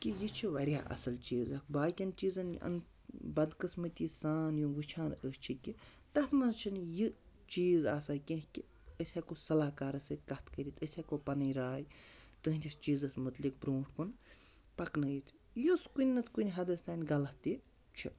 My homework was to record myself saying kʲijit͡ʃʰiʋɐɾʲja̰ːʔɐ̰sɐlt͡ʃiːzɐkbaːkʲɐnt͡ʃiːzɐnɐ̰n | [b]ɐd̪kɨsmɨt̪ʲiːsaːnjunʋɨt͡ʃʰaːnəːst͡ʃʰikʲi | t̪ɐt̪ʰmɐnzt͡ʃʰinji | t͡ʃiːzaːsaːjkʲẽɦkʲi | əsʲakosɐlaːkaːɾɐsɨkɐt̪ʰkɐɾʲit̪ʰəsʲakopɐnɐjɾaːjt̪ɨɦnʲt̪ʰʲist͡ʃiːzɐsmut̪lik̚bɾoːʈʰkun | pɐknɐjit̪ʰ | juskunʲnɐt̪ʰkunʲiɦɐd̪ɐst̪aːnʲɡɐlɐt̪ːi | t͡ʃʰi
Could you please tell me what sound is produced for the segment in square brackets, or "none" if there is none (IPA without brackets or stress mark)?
b